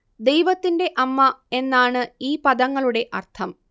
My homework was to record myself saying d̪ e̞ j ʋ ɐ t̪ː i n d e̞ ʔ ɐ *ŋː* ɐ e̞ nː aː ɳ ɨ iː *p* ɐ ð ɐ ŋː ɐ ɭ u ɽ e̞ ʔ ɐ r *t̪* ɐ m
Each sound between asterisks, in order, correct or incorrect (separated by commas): incorrect, correct, incorrect